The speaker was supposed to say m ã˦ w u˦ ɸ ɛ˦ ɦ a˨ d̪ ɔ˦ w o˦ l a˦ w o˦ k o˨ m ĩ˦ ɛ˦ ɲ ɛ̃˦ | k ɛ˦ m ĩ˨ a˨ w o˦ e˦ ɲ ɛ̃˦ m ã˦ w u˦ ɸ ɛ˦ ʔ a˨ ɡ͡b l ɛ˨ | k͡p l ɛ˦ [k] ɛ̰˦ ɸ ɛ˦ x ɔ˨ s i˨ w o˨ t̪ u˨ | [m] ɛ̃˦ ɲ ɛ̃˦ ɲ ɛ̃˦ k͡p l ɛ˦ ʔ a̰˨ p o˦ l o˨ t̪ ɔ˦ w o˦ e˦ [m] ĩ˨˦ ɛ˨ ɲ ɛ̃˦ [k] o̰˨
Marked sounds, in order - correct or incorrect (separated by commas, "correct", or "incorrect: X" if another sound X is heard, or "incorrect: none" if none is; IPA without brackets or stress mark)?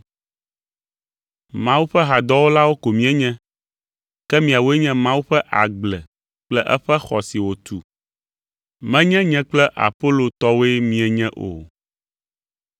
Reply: incorrect: ʔ, correct, correct, incorrect: ʔ